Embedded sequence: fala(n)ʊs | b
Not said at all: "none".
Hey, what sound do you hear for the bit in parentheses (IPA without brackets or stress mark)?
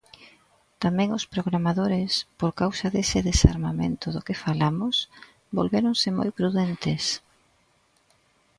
m